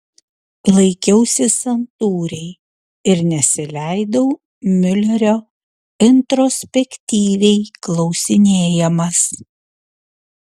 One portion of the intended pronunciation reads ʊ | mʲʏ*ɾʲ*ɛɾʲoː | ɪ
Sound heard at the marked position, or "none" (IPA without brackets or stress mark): lʲ